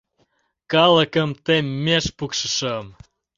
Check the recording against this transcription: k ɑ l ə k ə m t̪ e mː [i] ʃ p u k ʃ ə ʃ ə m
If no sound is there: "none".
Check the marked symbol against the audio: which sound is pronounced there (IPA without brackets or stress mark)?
e